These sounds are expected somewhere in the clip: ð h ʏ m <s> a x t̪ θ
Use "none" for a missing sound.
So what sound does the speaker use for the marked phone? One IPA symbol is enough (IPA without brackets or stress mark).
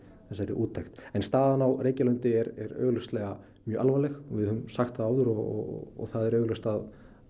s